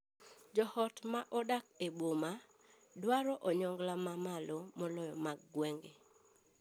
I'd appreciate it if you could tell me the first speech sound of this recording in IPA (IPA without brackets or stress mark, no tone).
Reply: d͡ʒ